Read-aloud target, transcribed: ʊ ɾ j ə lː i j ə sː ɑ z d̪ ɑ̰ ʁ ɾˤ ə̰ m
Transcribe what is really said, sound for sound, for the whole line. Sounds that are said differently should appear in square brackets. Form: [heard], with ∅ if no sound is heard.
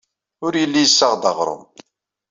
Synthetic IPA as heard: ʊ ɾ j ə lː i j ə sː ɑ [ʁ] d̪ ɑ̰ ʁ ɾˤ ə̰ m